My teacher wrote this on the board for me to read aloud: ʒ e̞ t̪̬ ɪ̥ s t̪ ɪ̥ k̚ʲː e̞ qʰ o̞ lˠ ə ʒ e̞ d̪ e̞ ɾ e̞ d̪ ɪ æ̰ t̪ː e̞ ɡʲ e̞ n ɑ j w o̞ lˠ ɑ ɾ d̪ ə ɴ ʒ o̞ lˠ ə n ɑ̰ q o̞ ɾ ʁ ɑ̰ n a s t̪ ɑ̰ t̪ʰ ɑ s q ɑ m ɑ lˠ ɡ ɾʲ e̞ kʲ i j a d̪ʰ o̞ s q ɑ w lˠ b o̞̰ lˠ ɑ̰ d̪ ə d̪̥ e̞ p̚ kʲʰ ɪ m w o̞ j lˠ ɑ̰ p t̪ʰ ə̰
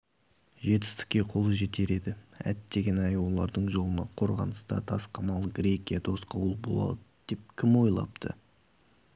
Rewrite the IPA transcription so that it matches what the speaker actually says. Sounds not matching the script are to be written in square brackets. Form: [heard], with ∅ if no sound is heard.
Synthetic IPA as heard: ʒ e̞ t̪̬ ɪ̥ s t̪ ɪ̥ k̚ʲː e̞ qʰ o̞ lˠ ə ʒ e̞ [t̪] e̞ ɾ e̞ d̪ ɪ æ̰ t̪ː e̞ ɡʲ e̞ n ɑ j w o̞ lˠ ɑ ɾ d̪ ə ɴ ʒ o̞ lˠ ə n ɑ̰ [qʰ] o̞ ɾ ʁ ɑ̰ n [ə] s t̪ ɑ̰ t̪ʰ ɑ s q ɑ m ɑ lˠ ɡ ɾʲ e̞ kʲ i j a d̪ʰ o̞ s q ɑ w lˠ b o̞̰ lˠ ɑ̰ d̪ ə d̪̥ e̞ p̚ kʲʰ ɪ m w o̞ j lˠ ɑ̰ p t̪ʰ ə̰